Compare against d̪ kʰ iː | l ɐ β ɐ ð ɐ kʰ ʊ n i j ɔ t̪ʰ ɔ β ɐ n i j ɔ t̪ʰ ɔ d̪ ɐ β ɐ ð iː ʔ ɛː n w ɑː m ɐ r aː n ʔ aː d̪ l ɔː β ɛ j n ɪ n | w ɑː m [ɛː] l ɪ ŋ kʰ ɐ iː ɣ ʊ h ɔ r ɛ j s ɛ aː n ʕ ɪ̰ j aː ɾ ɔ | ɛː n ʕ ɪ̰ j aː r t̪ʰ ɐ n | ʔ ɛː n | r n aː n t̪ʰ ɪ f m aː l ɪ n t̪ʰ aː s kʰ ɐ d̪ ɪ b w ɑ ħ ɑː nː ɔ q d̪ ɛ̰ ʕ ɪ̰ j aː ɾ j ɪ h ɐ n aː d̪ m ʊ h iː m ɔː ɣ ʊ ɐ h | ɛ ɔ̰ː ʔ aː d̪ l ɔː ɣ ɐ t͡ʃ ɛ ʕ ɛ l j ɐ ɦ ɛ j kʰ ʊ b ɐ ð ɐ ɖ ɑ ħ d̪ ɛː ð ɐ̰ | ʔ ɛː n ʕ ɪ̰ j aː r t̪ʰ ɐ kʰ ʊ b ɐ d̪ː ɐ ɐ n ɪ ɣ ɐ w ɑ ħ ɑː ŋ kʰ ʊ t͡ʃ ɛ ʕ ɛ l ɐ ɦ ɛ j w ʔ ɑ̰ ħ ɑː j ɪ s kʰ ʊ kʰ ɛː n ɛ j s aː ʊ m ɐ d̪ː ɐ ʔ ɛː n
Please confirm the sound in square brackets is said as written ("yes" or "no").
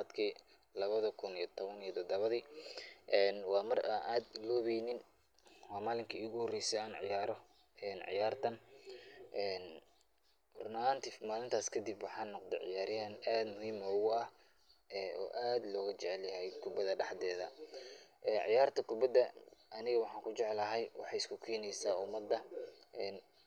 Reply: no